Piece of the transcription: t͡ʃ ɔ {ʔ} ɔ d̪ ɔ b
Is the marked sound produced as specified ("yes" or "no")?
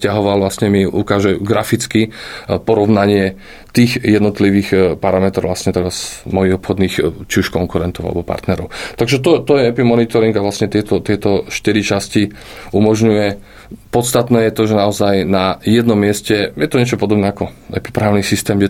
no